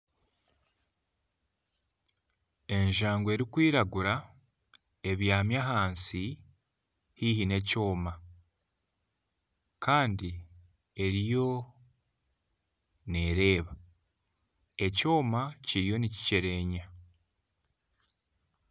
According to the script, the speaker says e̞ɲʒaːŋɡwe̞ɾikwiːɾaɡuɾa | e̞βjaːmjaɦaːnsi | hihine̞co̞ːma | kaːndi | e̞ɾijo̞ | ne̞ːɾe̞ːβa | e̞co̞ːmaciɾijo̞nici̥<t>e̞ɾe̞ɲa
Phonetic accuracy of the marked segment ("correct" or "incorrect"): incorrect